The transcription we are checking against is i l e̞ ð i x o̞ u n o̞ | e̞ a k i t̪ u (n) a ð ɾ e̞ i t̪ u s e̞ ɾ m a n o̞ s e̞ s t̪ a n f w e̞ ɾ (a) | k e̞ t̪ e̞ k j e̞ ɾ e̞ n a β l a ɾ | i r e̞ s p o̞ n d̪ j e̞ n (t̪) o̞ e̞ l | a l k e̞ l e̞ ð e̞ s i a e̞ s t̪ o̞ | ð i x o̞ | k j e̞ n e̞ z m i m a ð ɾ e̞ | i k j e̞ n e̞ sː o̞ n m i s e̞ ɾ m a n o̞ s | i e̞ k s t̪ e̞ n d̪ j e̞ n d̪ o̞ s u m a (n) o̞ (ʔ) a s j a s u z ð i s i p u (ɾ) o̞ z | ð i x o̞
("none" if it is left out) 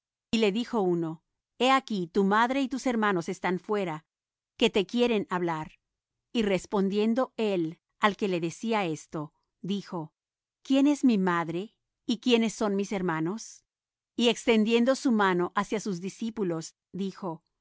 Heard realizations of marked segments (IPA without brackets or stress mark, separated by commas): m, a, d̪, n, ʔ, l